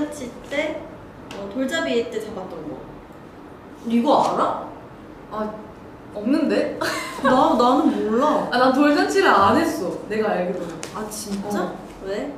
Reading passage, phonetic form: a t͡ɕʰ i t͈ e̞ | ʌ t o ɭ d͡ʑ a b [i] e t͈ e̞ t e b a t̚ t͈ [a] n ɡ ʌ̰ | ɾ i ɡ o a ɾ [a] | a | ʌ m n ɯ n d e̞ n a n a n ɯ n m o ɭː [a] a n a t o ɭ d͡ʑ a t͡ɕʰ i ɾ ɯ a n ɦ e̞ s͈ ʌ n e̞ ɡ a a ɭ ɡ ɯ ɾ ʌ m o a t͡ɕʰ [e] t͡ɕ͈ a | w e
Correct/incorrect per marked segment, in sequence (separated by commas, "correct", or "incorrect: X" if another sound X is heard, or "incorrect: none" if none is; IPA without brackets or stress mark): correct, incorrect: ʌ, correct, correct, incorrect: i